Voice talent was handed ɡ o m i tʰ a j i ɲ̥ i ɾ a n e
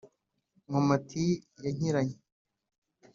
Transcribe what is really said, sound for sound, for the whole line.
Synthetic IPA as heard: ŋ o m a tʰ i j a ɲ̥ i ɾ a ɲ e